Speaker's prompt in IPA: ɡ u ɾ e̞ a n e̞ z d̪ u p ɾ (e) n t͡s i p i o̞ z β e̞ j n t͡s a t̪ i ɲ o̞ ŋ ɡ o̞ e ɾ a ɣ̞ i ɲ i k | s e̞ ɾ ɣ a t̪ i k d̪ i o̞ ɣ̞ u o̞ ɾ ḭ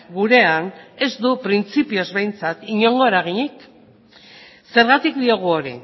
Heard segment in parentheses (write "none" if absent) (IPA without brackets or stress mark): i